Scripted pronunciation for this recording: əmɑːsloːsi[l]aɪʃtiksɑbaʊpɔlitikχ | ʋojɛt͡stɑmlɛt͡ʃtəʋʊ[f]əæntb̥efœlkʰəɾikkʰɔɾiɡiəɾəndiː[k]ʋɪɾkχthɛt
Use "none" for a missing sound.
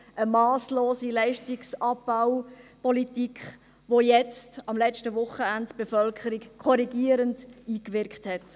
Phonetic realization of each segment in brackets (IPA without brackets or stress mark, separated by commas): l, χ, k